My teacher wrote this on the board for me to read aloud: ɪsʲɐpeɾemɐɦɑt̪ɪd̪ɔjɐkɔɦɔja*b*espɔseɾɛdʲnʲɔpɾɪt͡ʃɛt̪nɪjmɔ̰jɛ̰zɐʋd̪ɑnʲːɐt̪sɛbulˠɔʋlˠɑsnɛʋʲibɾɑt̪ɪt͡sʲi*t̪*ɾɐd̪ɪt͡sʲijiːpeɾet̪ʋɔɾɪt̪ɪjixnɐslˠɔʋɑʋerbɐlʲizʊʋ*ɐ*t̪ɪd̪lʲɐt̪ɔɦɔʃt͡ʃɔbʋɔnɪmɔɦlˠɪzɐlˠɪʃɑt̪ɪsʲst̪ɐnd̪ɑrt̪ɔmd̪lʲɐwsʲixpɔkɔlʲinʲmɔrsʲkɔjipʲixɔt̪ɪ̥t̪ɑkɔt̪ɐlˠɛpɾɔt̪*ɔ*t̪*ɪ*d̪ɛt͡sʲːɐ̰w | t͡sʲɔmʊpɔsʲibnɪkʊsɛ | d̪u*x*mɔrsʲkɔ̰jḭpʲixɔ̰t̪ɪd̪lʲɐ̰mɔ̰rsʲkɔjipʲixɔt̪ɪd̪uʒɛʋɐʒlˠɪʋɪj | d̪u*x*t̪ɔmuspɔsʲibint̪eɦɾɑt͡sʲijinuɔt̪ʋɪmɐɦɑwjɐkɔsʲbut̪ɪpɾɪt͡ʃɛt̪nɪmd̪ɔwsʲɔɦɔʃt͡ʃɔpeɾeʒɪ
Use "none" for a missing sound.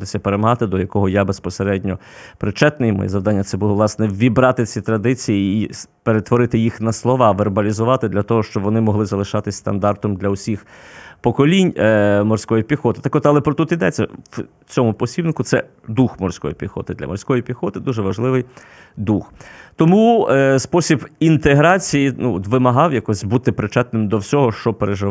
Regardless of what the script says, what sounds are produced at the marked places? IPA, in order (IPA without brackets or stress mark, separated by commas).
b, t̪, ɑ, u, i, x, x